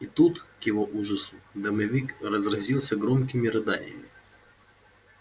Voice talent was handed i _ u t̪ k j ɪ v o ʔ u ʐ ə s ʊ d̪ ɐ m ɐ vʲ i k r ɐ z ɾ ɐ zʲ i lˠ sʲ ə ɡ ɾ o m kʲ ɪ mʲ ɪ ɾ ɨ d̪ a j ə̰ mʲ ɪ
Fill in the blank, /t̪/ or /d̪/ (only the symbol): t̪